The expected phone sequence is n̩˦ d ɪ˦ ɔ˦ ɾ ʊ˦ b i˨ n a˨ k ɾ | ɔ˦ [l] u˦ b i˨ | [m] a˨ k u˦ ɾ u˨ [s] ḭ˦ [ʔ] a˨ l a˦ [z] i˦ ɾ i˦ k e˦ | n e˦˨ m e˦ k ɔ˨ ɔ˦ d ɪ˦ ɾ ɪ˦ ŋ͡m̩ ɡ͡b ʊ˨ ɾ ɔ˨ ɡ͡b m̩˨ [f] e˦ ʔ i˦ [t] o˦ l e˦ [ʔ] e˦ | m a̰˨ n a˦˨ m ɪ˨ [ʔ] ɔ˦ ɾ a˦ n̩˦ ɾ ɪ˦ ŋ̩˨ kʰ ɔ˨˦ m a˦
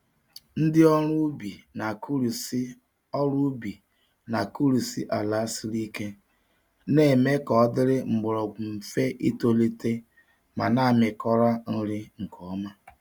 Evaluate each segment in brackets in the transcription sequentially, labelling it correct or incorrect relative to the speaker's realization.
incorrect: ɾ, incorrect: n, correct, correct, incorrect: s, correct, correct, incorrect: t, incorrect: k

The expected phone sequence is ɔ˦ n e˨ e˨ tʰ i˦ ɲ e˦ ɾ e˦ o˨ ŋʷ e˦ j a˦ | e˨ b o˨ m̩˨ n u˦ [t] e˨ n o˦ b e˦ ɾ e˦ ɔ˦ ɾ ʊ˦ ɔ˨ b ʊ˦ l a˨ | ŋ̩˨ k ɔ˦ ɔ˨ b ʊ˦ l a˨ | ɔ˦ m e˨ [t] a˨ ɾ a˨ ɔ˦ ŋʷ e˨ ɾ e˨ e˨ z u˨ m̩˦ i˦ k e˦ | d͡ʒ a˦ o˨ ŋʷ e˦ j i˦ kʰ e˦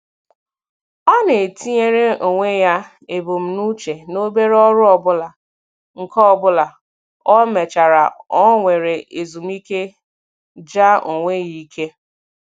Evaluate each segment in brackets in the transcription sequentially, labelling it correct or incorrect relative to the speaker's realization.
incorrect: t͡ʃ, incorrect: t͡ʃ

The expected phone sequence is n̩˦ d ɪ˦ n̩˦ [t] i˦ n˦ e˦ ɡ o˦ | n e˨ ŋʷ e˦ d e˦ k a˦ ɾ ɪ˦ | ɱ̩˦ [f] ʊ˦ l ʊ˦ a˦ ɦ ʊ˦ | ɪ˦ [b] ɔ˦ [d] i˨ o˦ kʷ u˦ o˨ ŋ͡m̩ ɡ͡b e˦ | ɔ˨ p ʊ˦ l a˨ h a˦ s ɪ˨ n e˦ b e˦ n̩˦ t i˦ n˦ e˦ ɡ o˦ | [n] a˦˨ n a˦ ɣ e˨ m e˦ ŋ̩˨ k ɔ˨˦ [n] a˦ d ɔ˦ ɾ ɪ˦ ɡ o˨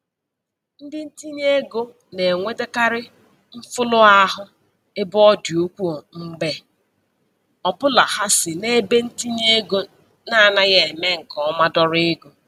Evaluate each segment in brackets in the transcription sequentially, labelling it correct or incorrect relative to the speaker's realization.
correct, correct, correct, correct, correct, incorrect: m

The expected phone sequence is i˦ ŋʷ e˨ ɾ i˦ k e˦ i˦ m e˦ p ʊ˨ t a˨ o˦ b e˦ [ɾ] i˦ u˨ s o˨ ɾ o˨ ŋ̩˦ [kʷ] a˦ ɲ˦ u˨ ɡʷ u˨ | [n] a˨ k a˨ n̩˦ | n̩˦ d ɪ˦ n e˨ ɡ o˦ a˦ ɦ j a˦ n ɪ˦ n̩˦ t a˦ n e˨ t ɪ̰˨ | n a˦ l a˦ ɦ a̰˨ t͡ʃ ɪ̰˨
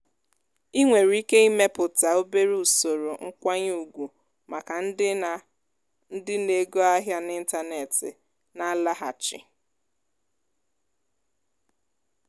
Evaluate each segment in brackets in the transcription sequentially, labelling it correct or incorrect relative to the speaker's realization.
correct, correct, incorrect: m

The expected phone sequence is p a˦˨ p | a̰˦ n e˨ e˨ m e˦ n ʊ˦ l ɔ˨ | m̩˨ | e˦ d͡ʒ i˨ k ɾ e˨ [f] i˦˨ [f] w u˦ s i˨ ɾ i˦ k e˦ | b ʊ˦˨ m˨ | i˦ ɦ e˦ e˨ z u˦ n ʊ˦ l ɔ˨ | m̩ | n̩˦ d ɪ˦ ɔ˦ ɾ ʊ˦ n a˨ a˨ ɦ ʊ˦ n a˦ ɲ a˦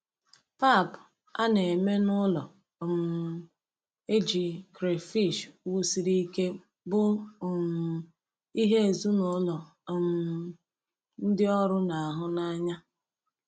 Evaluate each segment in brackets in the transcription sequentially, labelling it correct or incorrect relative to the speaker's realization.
correct, incorrect: ʃ

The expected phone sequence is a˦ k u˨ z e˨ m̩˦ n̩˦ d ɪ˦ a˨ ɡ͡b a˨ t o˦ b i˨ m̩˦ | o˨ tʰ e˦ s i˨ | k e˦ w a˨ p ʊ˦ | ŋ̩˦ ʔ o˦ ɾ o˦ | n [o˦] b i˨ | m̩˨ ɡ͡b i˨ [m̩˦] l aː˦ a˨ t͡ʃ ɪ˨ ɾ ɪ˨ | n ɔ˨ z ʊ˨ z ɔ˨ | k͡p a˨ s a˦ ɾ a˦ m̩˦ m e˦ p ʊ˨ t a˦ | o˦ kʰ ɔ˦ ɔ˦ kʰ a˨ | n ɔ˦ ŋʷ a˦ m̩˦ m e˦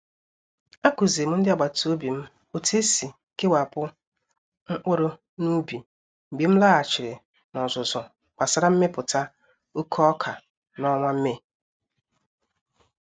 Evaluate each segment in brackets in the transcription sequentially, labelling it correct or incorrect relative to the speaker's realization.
incorrect: u˦, correct

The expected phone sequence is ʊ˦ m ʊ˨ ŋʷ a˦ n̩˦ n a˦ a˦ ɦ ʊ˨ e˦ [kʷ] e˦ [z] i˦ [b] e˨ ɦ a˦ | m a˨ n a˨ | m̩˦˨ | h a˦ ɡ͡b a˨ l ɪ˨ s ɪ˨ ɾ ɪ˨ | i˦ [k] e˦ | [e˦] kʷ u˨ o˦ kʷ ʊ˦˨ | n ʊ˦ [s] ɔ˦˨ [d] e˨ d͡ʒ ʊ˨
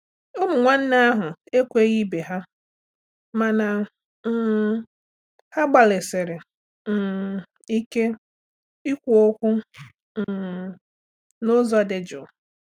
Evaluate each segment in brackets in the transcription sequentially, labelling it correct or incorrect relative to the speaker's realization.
correct, incorrect: ɣ, correct, correct, incorrect: i˦, incorrect: z, correct

